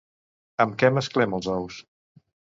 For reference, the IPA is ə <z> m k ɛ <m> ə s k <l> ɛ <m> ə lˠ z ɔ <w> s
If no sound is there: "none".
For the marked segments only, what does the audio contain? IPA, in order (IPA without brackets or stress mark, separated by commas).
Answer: none, m, l, m, w